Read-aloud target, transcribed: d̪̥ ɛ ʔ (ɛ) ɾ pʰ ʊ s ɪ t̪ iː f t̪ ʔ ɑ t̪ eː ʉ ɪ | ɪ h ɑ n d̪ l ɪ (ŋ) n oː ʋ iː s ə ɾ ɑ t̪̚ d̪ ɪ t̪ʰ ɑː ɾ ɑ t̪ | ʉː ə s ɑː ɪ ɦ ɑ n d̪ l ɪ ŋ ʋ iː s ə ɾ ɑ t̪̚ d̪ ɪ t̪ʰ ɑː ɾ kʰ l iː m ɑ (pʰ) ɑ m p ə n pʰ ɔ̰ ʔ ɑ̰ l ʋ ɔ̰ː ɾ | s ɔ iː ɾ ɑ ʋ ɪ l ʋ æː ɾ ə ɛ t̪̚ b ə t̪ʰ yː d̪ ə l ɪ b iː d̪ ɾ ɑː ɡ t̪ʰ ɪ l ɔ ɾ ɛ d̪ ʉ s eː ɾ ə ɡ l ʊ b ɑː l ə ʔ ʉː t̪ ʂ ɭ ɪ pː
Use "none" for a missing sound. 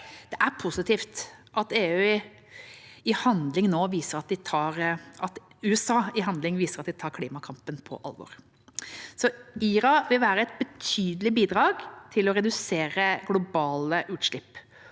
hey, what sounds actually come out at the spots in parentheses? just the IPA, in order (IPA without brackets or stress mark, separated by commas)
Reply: æ, ŋ, kʰ